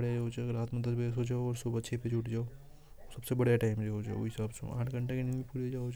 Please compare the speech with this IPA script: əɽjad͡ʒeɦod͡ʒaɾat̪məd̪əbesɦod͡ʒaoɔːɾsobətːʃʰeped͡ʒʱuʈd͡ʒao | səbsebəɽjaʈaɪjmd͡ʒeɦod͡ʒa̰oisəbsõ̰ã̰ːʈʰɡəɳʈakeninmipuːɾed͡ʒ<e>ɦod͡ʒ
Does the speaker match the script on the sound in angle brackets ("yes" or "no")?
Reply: no